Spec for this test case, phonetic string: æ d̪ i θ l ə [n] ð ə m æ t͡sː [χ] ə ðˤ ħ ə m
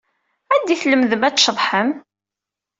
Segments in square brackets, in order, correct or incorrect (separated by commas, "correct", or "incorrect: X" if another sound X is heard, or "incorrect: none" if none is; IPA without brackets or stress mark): incorrect: m, incorrect: ʃ